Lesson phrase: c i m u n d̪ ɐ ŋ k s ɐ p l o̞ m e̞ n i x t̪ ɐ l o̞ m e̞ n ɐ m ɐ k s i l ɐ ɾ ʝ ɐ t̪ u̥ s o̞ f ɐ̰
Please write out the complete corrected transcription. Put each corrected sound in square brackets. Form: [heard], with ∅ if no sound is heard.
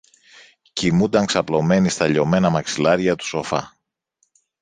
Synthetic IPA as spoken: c i m u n d̪ ɐ ŋ k s ɐ p l o̞ m e̞ n i [s] t̪ ɐ [ʎ] o̞ m e̞ n ɐ m ɐ k s i l ɐ ɾ ʝ ɐ t̪ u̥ s o̞ f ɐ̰